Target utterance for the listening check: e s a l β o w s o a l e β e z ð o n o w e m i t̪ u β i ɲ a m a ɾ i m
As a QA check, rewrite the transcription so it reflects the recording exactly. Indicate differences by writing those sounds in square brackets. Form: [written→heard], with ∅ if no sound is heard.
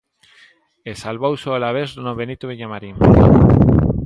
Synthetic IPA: e s a l β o w s o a l [e→a] β e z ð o n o [w→β] e [m→n] i t̪ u β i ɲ a m a ɾ i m